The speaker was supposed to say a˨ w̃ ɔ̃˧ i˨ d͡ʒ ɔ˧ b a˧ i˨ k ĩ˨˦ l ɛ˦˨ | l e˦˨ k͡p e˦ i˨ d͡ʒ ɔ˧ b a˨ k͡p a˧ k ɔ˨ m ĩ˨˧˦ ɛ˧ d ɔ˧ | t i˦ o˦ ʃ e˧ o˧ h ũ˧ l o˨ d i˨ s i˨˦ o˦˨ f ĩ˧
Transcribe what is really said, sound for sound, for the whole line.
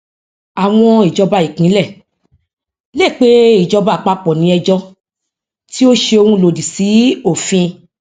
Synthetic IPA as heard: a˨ w̃ ɔ̃˧ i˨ d͡ʒ ɔ˧ b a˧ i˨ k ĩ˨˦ l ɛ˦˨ | l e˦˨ k͡p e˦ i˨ d͡ʒ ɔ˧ b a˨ k͡p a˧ k͡p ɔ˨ n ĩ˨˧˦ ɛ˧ d͡ʒ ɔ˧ | t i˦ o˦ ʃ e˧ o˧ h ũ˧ l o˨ d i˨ s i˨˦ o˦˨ f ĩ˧